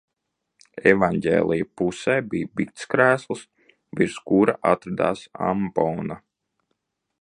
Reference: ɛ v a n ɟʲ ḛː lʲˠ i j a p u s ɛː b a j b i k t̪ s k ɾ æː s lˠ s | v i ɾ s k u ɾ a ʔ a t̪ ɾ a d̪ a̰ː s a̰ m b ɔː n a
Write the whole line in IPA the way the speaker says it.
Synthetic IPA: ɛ v a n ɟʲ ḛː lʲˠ i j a p u s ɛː b i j b i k t̪ s k ɾ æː s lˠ s | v i ɾ s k u ɾ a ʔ a t̪ ɾ a d̪ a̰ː s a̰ m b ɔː n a